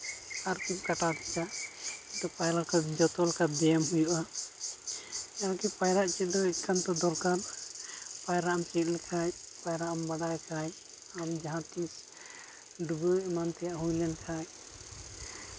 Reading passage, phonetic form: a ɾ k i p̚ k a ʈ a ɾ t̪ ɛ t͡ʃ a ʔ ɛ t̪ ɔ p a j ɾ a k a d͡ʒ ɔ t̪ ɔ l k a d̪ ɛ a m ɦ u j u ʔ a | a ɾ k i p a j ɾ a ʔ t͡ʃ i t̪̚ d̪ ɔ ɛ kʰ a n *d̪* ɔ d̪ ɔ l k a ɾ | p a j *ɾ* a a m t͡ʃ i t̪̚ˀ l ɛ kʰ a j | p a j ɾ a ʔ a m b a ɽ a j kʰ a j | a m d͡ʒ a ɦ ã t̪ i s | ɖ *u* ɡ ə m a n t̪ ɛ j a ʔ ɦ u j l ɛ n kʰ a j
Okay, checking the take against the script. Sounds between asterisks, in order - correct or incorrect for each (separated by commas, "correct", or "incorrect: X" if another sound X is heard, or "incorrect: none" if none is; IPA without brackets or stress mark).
incorrect: t̪, correct, correct